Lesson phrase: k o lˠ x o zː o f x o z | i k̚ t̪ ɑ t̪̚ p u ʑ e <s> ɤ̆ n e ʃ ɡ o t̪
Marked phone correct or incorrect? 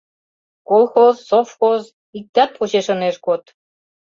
incorrect